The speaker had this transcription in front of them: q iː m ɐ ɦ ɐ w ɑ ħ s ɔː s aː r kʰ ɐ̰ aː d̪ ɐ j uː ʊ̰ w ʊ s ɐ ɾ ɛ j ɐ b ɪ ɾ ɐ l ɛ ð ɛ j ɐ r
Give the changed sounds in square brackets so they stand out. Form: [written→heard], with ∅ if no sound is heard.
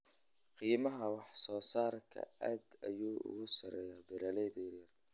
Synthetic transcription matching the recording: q iː m ɐ ɦ ɐ w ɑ ħ s ɔː s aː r kʰ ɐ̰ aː d̪ ɐ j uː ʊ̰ [w→ɣ] ʊ s ɐ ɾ ɛ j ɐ b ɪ ɾ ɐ l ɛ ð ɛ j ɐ r